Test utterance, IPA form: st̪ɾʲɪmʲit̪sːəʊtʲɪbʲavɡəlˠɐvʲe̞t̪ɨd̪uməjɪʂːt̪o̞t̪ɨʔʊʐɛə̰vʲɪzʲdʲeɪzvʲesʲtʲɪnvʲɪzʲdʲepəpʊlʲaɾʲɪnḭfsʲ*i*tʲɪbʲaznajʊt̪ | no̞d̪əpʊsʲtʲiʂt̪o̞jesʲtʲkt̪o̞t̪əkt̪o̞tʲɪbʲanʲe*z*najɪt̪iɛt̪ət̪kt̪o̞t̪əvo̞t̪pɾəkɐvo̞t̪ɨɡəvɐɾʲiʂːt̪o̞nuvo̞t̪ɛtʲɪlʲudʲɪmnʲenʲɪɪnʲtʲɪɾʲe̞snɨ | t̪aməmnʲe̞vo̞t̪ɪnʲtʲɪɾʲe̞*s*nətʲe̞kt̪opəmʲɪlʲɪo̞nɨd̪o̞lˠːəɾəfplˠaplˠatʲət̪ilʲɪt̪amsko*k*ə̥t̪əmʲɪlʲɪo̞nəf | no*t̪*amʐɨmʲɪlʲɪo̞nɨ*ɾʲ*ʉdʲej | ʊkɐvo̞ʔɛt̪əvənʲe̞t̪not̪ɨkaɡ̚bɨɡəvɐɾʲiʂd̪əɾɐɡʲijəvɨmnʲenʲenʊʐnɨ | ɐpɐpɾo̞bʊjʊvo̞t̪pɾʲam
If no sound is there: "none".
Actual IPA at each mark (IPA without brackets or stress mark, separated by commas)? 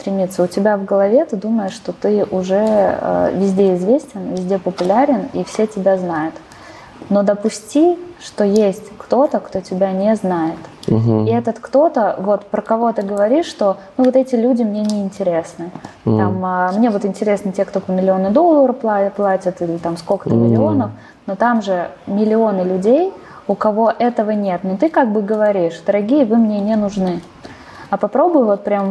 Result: e, z, s, k, t̪, lʲ